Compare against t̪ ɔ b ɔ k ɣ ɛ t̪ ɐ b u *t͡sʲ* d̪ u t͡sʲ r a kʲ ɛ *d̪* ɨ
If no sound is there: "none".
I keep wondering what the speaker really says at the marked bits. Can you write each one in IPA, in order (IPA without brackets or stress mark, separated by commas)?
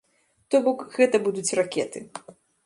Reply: none, t̪